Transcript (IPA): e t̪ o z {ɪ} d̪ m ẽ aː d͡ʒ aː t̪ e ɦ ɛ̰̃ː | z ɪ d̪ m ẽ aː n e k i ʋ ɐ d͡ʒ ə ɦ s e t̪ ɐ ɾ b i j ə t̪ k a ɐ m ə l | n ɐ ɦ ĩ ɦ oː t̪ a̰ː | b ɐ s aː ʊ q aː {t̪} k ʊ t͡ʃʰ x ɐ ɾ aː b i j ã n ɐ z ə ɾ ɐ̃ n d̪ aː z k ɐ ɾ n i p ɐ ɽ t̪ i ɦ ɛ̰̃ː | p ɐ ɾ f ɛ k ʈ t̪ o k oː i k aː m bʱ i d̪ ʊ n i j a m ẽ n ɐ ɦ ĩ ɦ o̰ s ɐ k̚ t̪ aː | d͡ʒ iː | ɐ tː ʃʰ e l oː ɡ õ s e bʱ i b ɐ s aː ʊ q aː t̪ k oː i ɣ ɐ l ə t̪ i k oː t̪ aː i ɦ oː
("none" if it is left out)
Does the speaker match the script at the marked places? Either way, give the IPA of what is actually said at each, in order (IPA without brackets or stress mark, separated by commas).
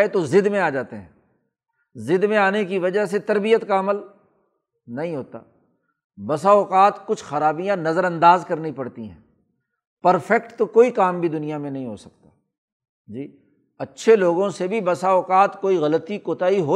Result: ɪ, t̪